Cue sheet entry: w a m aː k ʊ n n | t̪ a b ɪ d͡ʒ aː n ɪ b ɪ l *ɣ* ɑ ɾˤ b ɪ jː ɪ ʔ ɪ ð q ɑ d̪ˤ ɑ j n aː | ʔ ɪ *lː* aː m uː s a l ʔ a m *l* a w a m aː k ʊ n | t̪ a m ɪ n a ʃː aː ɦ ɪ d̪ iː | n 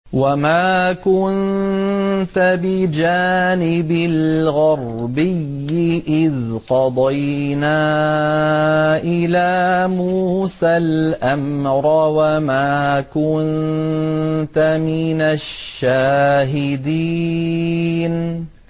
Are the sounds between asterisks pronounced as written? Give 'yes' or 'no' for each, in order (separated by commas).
yes, no, no